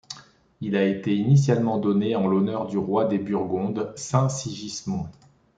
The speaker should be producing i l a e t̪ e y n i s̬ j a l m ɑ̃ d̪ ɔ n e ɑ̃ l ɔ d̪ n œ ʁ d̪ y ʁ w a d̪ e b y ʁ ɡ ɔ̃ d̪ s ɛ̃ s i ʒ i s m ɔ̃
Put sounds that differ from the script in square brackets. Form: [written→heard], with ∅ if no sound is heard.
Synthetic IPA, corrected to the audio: i l a e t̪ e [y→i] n i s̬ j a l m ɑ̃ d̪ ɔ n e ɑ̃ l ɔ [d̪→∅] n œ ʁ d̪ y ʁ w a d̪ e b y ʁ ɡ ɔ̃ d̪ s ɛ̃ s i ʒ i s m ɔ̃